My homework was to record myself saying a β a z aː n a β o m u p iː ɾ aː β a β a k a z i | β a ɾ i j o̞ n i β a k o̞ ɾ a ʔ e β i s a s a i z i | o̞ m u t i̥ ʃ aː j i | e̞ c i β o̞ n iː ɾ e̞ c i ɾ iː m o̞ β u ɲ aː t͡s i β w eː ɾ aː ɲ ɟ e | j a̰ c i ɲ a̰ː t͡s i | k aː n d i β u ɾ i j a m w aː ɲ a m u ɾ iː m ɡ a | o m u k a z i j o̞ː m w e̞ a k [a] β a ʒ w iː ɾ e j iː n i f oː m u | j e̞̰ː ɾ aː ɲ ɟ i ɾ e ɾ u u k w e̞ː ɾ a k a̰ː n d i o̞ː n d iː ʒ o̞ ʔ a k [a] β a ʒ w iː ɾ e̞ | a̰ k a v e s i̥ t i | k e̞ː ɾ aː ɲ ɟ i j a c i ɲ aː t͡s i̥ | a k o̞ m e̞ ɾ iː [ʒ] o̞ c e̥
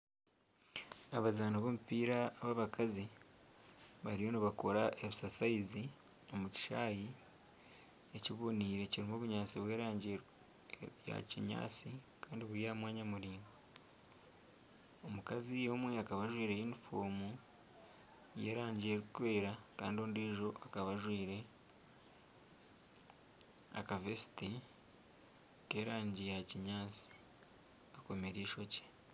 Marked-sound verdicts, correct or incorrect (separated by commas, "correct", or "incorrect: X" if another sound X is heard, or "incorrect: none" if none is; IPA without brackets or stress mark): correct, correct, incorrect: ʃ